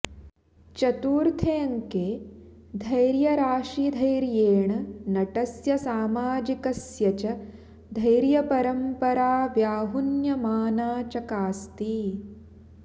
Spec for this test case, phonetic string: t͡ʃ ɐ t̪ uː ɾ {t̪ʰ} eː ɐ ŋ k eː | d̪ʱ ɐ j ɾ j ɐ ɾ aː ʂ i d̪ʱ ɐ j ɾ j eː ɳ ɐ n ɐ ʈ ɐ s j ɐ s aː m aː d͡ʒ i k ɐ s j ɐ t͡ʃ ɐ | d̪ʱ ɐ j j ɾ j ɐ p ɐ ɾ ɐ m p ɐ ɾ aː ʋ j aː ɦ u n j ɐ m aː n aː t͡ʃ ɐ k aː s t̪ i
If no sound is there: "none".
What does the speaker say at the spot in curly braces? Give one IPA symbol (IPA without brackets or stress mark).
t̪ʰ